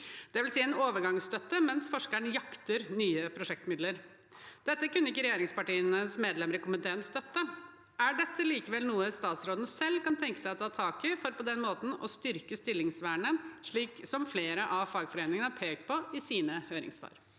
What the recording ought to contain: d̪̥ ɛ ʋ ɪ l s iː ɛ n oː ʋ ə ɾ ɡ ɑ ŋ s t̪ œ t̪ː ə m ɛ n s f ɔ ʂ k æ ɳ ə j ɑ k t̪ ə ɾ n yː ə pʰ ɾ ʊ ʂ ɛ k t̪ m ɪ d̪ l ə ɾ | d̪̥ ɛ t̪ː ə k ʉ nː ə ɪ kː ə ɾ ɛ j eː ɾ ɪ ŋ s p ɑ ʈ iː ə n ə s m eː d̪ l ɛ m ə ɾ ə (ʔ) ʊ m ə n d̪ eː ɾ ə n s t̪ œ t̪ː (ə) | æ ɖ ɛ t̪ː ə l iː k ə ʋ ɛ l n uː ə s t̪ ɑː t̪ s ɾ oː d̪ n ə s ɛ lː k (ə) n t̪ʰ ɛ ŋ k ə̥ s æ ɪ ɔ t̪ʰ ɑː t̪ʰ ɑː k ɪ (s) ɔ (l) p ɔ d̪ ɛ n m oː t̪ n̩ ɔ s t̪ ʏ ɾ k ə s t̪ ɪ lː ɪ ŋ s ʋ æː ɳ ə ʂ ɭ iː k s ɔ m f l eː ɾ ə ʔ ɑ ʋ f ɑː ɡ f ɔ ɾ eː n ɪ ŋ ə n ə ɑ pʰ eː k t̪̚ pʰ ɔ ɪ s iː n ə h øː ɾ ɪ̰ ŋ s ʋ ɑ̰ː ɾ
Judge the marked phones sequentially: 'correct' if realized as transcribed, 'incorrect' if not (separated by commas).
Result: incorrect, correct, incorrect, incorrect, incorrect